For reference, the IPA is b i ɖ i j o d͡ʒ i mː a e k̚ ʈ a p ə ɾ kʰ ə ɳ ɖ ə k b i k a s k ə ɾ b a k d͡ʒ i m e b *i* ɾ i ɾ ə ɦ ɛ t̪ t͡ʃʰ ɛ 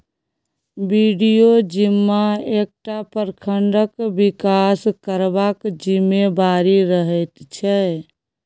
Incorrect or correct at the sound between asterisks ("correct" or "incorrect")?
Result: incorrect